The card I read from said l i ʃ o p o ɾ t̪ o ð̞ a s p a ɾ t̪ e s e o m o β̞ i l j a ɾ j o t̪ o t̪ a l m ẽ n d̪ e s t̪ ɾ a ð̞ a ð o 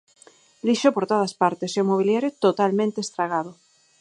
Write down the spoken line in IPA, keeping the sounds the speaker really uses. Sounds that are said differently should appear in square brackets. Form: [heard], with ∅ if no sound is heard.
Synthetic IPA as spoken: l i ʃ o p o ɾ t̪ o ð̞ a s p a ɾ t̪ e s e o m o β̞ i l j a ɾ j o t̪ o t̪ a l m ẽ n [t̪] e s t̪ ɾ a [ɣ̞] a ð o